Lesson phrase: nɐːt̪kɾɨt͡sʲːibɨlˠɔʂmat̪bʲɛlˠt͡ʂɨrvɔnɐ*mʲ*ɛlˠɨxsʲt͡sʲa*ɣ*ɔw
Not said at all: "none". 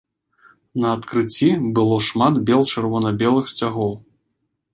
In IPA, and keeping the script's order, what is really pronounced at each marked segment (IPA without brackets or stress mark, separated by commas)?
bʲ, ɣ